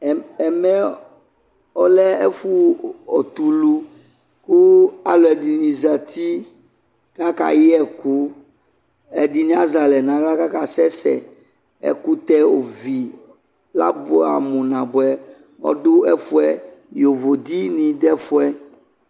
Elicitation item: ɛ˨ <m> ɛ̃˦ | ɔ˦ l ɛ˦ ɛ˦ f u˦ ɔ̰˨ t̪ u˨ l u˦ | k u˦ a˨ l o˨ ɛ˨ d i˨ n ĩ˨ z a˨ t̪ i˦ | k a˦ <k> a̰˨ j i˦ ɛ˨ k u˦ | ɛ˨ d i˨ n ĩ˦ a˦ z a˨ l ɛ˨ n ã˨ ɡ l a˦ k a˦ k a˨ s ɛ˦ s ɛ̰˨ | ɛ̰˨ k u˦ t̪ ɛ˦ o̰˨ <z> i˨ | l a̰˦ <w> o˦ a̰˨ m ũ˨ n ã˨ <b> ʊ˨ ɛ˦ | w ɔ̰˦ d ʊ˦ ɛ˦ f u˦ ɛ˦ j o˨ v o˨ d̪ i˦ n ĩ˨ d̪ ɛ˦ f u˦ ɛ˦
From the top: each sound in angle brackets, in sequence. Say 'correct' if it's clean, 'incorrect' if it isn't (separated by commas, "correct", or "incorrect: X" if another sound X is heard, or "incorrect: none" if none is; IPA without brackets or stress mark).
correct, correct, incorrect: v, incorrect: b, correct